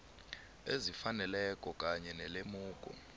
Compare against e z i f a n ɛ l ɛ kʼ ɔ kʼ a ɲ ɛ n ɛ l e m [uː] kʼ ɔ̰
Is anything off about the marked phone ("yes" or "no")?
no